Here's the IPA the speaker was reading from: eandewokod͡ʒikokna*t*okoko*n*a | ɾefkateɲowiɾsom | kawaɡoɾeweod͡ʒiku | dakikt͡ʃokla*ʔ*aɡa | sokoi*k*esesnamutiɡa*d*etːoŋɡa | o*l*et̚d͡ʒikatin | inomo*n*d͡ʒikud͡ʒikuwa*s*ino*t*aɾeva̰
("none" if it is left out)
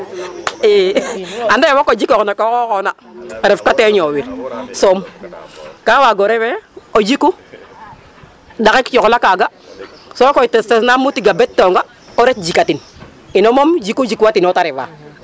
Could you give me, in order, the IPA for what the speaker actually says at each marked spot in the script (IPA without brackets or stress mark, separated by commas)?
k, n, k, t, b, ɾ, m, t, t